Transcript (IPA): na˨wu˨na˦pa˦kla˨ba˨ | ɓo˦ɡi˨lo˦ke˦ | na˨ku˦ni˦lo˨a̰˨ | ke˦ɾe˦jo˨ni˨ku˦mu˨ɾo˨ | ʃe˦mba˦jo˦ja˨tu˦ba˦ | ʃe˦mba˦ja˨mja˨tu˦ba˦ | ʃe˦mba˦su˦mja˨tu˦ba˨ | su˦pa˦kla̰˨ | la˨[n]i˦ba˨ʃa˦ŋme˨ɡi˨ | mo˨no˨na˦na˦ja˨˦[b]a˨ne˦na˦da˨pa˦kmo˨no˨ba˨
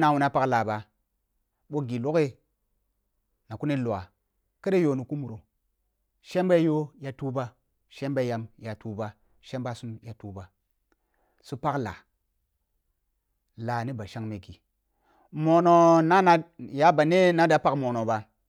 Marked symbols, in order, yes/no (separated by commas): yes, yes